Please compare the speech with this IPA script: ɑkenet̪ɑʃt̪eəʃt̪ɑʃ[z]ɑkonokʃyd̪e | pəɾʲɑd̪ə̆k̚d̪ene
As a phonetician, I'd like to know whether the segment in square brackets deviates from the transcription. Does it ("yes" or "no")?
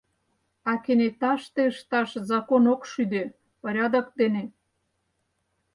no